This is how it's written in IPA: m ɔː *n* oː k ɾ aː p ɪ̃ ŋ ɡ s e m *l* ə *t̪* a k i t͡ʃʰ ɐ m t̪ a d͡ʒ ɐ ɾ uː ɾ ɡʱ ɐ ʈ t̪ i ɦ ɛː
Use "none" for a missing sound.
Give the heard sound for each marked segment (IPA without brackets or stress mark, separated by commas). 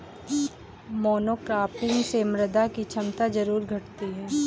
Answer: n, ɾ, d̪